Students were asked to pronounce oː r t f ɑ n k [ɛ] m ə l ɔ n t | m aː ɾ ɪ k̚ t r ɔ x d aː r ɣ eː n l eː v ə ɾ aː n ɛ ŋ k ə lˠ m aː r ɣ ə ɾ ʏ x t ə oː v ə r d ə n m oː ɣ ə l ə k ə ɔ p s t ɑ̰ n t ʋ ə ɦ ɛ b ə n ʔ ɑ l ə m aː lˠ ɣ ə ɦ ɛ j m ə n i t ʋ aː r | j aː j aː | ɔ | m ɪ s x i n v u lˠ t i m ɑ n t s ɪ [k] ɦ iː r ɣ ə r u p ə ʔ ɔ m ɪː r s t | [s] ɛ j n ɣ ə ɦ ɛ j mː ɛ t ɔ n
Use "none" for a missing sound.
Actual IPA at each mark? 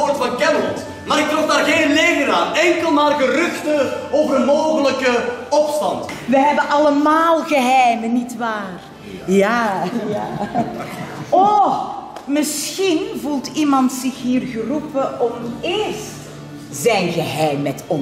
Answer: ɛ, x, z

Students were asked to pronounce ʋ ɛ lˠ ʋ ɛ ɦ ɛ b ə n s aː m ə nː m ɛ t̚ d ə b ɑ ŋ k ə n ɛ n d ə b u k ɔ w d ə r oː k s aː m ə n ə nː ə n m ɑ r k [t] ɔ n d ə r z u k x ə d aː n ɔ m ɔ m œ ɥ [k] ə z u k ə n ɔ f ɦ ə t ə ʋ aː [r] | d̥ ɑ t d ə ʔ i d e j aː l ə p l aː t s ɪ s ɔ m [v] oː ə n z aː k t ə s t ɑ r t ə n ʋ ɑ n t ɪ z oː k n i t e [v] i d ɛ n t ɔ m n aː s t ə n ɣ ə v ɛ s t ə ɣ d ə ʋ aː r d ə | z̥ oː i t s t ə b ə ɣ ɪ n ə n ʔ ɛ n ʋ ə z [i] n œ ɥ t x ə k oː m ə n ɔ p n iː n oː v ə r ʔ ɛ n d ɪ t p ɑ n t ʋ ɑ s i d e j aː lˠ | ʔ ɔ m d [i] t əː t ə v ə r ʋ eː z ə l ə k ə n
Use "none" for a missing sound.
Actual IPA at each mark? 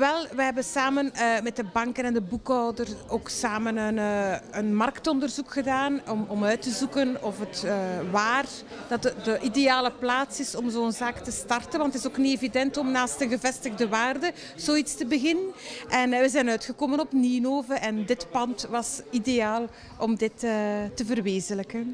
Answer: t, t, r, z, v, ɛ, ɪ

